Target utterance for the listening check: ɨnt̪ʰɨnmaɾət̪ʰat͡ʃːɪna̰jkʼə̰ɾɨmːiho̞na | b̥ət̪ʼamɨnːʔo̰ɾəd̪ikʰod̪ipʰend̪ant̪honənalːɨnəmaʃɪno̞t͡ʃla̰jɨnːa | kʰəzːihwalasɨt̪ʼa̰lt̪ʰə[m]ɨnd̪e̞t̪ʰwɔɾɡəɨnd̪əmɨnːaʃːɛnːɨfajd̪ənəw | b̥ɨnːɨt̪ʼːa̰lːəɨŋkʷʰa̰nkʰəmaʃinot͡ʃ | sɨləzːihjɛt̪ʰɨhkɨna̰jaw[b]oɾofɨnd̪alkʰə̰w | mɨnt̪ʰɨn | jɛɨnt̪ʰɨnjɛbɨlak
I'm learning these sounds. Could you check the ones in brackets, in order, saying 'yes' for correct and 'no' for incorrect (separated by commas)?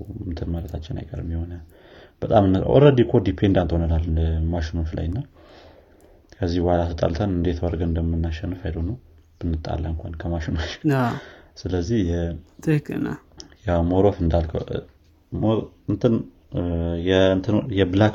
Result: no, no